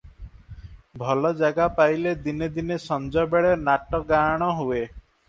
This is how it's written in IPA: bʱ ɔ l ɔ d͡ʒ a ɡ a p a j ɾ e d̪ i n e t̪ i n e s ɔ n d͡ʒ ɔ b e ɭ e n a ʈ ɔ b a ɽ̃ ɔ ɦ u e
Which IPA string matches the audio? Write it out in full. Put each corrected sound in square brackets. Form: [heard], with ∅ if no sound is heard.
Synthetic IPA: bʱ ɔ l ɔ d͡ʒ a ɡ a p a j [l] e d̪ i n e [d̪] i n e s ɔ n d͡ʒ ɔ b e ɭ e n a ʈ ɔ [ɡ] a ɽ̃ ɔ ɦ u e